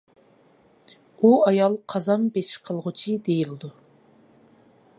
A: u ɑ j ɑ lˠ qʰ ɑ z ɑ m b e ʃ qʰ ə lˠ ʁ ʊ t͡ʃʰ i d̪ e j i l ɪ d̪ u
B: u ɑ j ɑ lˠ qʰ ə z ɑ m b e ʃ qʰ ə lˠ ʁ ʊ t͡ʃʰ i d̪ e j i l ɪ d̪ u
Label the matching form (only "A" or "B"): A